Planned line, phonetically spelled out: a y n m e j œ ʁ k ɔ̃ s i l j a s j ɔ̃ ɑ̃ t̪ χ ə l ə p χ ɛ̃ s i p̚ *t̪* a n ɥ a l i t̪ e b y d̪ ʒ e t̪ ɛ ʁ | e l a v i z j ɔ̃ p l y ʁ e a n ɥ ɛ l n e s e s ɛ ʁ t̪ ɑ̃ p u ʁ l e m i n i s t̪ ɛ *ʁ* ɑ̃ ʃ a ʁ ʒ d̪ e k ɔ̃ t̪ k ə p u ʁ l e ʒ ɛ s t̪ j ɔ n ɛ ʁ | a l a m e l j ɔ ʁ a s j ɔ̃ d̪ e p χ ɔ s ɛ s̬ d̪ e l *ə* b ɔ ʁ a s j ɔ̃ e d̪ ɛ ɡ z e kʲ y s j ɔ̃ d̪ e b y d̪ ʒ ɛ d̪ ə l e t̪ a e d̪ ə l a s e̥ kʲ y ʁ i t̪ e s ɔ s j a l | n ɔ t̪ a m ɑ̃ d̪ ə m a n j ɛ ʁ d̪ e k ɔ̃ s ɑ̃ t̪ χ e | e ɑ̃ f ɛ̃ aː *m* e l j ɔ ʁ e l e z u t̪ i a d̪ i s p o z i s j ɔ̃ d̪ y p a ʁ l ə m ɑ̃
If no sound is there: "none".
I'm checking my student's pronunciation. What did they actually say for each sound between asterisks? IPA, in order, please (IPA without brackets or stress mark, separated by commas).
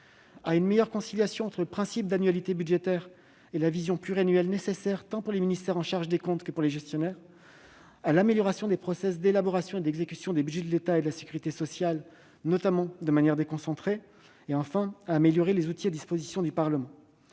d̪, ʁ, a, m